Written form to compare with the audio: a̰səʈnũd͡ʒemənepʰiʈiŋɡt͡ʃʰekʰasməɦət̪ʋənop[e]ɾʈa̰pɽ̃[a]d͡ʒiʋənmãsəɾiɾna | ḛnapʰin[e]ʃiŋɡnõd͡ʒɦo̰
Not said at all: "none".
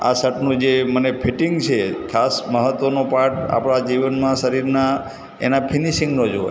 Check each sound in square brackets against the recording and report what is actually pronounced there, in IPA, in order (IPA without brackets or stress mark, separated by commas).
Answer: a, a, i